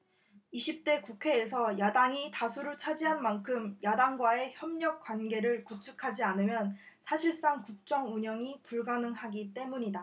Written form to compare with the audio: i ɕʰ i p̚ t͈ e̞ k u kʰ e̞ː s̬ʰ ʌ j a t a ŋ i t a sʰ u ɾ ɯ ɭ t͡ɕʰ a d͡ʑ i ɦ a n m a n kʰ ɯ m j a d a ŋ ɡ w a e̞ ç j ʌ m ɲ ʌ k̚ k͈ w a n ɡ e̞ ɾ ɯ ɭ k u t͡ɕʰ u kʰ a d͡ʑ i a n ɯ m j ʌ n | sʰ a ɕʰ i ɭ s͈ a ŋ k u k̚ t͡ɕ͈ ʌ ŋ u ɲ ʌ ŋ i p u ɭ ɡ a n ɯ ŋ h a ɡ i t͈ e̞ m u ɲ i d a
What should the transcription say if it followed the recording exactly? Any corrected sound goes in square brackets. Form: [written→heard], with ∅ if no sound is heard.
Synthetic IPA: i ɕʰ i p̚ t͈ e̞ k u kʰ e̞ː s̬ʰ ʌ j a [t→d] a ŋ i t a sʰ u ɾ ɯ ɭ t͡ɕʰ a d͡ʑ i ɦ a n m a n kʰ ɯ m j a d a ŋ ɡ w a e̞ ç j ʌ m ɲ ʌ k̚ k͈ w a n ɡ e̞ ɾ ɯ ɭ k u t͡ɕʰ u kʰ a d͡ʑ i a n ɯ m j ʌ n | sʰ a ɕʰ i ɭ s͈ a ŋ k u k̚ t͡ɕ͈ ʌ ŋ u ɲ ʌ ŋ i p u ɭ ɡ a n ɯ ŋ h a ɡ i t͈ e̞ m u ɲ i d a